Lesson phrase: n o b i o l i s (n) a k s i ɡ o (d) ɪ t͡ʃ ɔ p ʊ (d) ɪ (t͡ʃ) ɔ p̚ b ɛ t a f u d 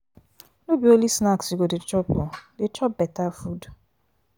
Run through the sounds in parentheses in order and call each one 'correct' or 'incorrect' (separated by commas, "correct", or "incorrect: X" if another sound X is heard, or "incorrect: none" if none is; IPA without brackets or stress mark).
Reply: correct, correct, correct, correct